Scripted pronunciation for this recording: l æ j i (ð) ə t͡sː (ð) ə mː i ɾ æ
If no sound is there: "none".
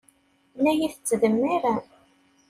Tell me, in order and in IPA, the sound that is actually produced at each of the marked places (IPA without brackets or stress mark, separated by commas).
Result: θ, ð